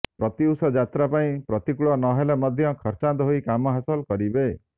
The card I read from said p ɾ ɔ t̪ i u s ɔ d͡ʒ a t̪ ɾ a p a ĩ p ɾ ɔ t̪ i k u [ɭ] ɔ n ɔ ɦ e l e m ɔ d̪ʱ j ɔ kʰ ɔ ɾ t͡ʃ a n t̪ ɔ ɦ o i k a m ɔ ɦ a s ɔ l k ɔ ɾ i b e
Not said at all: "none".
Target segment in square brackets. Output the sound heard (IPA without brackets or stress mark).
ɭ